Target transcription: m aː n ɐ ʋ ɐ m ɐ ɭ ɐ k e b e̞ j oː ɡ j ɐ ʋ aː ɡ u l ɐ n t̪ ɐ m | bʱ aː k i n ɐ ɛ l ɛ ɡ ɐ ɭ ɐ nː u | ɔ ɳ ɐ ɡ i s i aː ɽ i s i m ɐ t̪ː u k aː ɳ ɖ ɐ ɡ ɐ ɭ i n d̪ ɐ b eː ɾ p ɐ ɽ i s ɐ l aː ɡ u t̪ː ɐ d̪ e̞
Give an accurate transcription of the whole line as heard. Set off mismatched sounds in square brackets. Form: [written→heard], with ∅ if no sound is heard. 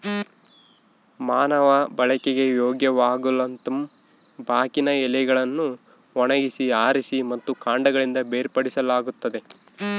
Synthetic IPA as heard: m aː n ɐ ʋ ɐ [m→b] ɐ ɭ ɐ k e [b→ɡ] e̞ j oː ɡ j ɐ ʋ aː ɡ u l ɐ n t̪ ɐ m | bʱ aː k i n ɐ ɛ l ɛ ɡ ɐ ɭ ɐ nː u | ɔ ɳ ɐ ɡ i s i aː [ɽ→ɾ] i s i m ɐ t̪ː u k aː ɳ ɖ ɐ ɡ ɐ ɭ i n d̪ ɐ b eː ɾ p ɐ ɽ i s ɐ l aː ɡ u t̪ː ɐ d̪ e̞